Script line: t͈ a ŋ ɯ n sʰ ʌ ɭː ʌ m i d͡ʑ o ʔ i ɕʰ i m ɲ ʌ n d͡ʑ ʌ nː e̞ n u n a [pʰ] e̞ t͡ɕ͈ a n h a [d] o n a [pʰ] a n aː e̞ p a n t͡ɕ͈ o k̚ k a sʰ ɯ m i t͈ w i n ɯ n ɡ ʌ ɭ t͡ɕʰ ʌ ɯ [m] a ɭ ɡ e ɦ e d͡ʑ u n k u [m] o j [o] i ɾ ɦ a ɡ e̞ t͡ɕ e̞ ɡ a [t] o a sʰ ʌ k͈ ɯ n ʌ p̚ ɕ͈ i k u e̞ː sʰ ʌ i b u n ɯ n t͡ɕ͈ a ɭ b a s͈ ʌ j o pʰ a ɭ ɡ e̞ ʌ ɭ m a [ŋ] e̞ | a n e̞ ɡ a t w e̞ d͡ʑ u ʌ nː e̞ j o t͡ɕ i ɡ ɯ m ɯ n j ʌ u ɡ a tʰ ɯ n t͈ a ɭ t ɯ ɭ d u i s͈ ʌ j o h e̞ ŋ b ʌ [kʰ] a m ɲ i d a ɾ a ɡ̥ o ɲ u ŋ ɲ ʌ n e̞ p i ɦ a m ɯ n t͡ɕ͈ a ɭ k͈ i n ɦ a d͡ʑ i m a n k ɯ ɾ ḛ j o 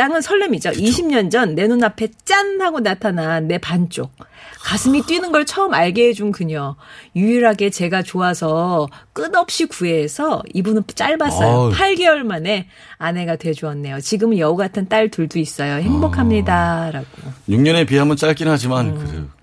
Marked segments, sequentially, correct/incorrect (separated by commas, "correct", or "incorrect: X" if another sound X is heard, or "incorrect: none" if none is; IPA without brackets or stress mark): correct, incorrect: ɡ, incorrect: tʰ, correct, incorrect: ɲ, incorrect: u, incorrect: t͡ɕ, incorrect: n, correct